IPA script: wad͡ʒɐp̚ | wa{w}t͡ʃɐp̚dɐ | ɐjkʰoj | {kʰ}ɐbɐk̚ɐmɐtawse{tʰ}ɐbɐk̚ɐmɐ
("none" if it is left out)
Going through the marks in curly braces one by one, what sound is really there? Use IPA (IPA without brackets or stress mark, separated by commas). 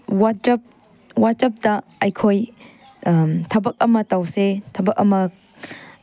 none, tʰ, tʰ